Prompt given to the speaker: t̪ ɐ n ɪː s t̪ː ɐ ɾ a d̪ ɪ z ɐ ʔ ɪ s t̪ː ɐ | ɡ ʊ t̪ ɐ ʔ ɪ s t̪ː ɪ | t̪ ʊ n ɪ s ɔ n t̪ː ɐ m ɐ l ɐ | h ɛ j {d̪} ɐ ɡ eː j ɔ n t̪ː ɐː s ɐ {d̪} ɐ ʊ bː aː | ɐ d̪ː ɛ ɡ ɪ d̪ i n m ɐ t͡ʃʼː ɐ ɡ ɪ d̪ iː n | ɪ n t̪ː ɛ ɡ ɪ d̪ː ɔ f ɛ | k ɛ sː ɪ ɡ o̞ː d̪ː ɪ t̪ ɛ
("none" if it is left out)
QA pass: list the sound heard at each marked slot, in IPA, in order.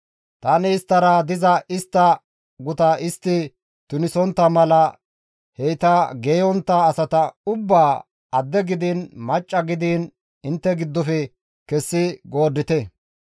t̪, t̪

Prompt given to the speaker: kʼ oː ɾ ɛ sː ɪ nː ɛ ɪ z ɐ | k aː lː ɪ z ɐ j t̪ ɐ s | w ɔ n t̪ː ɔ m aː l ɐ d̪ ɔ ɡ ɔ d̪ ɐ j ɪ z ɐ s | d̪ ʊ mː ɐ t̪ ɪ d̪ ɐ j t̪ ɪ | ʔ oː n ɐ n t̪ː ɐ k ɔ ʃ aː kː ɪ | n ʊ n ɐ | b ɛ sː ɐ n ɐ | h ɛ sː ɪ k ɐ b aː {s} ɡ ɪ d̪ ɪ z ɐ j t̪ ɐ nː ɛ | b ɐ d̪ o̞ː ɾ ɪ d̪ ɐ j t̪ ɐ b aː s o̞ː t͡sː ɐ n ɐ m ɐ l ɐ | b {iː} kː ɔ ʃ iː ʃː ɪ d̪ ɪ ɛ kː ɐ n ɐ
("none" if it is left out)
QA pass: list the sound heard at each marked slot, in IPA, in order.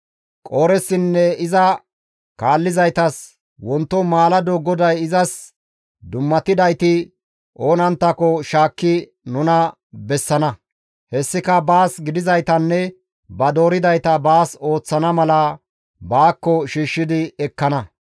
s, aː

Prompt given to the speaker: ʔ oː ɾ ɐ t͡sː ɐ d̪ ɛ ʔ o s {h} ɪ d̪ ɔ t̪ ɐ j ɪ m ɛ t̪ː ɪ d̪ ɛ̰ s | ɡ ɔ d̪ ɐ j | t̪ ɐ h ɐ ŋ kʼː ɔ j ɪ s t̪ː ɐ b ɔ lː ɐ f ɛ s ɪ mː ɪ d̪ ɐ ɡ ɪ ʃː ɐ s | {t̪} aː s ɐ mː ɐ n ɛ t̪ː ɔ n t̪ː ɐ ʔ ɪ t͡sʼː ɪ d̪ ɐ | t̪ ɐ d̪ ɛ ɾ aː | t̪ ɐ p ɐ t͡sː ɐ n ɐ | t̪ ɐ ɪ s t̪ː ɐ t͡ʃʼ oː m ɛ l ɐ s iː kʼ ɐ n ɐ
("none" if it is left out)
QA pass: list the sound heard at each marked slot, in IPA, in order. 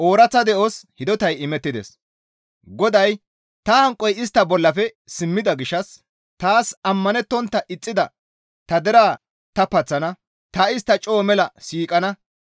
h, t̪

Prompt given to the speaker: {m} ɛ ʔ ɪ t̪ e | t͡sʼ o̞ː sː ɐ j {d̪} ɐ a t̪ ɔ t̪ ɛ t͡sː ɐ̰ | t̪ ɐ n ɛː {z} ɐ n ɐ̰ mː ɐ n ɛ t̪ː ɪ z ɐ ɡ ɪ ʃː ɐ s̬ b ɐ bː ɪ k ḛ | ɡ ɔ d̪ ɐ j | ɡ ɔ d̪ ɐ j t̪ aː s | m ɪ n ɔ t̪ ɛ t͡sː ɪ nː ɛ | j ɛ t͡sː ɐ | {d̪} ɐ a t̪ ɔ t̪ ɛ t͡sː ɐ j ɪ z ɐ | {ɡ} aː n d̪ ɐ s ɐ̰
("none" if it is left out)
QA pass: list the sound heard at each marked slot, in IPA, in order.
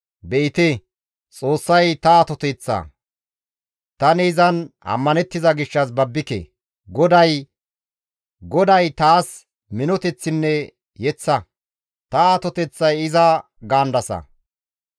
b, t̪, z, t̪, ɡ

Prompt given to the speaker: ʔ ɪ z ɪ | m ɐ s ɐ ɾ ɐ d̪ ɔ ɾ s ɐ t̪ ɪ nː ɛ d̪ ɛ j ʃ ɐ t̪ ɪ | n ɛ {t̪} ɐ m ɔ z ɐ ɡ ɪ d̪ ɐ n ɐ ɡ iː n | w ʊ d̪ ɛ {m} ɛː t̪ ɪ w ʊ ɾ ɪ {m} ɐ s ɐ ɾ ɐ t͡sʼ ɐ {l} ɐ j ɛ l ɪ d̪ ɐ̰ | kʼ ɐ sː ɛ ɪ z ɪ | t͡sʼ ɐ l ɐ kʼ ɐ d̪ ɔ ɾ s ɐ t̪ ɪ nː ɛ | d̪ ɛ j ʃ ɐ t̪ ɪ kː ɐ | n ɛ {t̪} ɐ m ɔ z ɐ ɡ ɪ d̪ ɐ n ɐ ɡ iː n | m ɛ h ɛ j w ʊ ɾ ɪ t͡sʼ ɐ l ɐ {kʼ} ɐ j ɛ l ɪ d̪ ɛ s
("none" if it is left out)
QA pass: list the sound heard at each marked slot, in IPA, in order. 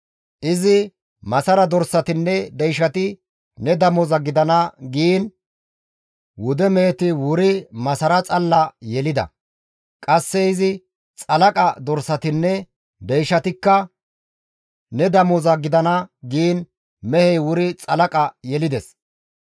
d̪, m, m, lː, d̪, kʼ

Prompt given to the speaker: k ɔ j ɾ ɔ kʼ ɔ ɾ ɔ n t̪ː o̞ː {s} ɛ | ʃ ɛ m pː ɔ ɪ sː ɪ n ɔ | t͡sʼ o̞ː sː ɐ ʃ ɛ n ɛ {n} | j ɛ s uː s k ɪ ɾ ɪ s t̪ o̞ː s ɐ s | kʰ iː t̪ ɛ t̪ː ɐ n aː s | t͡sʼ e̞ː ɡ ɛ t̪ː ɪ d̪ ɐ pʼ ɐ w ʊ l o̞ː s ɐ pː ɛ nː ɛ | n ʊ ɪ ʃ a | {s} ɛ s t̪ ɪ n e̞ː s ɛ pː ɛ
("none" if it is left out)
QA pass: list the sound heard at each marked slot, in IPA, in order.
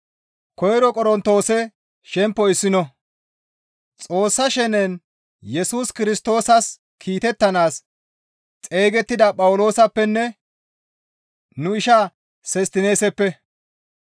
s, n, s

